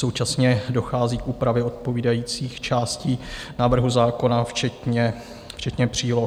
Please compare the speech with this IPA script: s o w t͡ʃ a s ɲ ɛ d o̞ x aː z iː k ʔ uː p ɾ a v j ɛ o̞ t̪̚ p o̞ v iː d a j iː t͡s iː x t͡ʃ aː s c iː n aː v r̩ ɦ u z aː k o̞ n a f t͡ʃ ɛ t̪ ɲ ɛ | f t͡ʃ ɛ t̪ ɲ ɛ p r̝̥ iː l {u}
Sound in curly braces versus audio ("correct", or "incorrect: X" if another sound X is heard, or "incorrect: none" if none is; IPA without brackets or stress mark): incorrect: o